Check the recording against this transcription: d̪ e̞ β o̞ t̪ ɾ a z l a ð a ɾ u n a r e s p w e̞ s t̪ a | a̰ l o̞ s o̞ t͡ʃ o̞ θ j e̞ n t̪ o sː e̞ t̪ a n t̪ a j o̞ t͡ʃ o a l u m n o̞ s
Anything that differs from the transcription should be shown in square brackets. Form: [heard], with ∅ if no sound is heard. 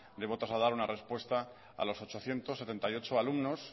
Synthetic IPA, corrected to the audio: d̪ e̞ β o̞ t̪ ɾ a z l a ð a ɾ u n a r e s p w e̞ s t̪ a | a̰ l o̞ s o̞ t͡ʃ o̞ θ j e̞ n t̪ o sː e̞ t̪ [e] n t̪ a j o̞ t͡ʃ o a l u m n o̞ s